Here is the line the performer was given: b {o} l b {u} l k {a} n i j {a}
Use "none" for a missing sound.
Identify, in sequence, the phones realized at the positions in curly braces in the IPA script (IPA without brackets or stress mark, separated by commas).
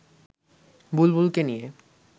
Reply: u, u, e, e